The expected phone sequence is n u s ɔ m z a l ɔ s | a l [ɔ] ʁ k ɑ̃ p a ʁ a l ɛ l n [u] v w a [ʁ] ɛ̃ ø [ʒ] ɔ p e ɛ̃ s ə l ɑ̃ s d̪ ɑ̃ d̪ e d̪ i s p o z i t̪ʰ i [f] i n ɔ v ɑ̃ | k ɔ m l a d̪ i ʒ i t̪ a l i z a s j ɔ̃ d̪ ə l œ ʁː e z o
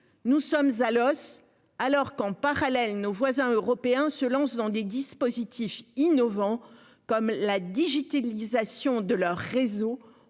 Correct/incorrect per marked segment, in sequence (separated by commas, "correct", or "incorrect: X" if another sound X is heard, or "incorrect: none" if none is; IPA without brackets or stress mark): correct, incorrect: o, incorrect: z, incorrect: ʁ, correct